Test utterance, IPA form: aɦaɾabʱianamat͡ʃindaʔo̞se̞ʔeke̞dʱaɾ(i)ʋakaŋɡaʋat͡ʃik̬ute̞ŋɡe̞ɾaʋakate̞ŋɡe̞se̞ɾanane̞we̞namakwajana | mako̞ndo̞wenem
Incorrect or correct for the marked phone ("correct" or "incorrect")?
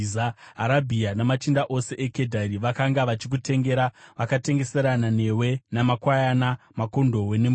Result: correct